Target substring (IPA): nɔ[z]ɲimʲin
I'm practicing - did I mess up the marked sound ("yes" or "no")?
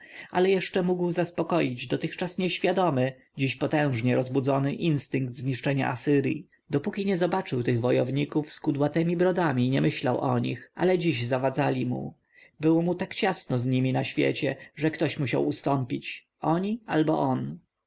no